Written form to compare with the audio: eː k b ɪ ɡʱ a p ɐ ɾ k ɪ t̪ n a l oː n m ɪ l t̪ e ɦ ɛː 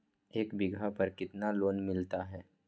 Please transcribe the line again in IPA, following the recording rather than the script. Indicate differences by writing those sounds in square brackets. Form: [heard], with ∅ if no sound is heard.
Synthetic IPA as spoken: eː k b ɪ ɡʱ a p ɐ ɾ k ɪ t̪ n a l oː n m ɪ l t̪ [a] ɦ ɛː